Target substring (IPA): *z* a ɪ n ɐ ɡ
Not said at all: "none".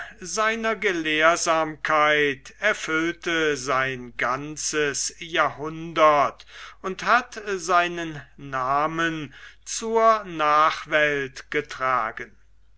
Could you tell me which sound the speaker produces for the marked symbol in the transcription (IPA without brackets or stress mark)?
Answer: z